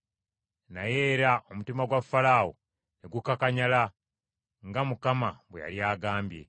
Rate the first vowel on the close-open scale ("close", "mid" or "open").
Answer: open